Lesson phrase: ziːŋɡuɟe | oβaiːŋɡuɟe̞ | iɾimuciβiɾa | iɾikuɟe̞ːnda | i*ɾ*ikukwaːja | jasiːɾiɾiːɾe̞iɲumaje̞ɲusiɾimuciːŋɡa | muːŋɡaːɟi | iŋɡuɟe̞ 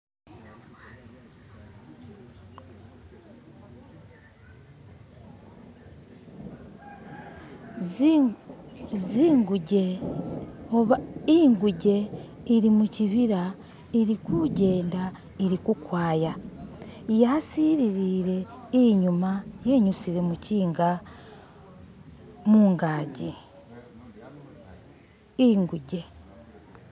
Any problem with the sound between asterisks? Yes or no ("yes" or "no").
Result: no